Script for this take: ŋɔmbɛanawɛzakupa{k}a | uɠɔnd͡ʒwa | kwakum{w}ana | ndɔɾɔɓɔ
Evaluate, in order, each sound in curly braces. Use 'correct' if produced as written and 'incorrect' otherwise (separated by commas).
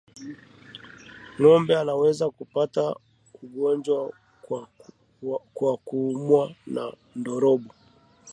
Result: incorrect, correct